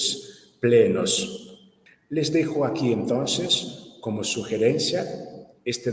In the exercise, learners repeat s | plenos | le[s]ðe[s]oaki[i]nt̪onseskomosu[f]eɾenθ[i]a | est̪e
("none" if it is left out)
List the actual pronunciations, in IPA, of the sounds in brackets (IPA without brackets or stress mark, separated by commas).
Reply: z, x, e, x, j